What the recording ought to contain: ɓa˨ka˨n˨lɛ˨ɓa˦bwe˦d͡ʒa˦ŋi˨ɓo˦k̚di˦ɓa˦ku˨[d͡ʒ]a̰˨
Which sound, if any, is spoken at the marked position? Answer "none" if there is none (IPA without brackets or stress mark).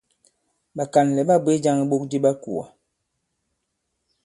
none